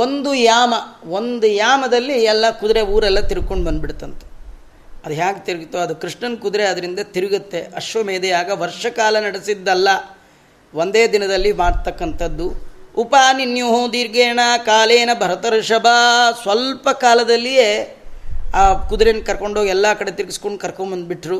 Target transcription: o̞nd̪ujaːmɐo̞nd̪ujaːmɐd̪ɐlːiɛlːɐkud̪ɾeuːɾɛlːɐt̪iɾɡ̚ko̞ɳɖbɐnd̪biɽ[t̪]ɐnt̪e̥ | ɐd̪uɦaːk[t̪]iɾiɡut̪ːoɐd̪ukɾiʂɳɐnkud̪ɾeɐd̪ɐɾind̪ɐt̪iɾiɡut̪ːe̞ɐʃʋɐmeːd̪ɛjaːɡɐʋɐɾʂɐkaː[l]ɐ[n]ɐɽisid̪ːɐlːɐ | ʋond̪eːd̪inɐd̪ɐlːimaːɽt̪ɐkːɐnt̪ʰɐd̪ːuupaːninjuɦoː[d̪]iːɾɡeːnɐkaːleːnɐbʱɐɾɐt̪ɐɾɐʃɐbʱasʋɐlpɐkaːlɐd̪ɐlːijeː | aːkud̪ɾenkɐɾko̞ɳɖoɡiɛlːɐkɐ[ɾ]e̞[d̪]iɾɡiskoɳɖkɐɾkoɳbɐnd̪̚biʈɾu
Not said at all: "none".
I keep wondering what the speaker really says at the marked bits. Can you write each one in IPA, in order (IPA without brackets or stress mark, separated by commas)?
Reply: t̪, t̪, l, n, d̪, ɽ, t̪